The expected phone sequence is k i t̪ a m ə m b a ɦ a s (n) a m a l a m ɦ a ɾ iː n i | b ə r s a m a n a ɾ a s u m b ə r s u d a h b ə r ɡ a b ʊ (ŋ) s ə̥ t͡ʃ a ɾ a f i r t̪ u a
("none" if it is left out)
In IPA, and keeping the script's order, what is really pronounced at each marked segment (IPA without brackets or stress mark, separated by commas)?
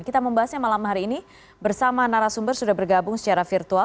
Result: ɲ, ŋ